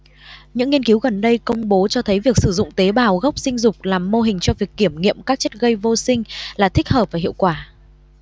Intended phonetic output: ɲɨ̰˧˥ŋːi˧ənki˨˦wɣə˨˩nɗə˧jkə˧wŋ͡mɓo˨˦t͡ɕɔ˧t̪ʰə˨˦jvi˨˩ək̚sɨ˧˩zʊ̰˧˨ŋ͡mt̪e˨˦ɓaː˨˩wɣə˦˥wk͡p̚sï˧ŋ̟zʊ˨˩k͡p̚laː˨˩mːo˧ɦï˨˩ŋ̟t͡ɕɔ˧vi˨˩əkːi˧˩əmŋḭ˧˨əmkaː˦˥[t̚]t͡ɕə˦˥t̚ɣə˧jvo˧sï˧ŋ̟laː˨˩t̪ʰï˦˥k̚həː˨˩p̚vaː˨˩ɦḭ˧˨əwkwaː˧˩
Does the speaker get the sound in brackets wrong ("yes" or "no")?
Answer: yes